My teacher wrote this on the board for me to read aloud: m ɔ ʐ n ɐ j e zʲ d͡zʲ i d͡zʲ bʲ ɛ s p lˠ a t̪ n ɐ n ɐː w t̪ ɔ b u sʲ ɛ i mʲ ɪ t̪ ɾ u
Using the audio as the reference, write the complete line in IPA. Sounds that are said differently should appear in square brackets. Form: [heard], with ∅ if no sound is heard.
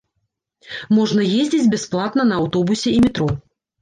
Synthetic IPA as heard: m ɔ ʐ n ɐ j e zʲ d͡zʲ i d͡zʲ bʲ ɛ s p lˠ a t̪ n ɐ n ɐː w t̪ ɔ b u sʲ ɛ i mʲ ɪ t̪ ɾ [ɔ]